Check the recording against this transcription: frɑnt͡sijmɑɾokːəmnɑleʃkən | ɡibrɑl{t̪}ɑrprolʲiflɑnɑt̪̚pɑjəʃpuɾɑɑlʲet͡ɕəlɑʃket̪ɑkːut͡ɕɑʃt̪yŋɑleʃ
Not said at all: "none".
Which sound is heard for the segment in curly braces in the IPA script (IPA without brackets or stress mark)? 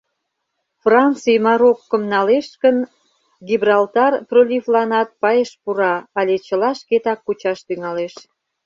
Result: t̪